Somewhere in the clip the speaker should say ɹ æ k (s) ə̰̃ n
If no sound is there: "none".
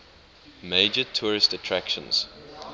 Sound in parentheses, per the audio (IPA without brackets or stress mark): ʃ